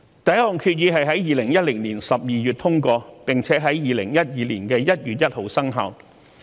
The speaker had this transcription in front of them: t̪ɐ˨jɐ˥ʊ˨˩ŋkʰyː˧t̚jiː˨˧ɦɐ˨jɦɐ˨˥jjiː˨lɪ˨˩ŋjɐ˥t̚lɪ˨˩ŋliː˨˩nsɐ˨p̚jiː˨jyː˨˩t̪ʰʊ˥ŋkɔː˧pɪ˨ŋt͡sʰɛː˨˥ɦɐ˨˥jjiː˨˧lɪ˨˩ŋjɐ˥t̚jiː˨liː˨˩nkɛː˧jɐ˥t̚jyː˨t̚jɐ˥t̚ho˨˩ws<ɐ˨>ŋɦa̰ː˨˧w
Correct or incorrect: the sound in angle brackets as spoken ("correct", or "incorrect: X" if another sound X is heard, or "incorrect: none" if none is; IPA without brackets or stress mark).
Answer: incorrect: ɐ˥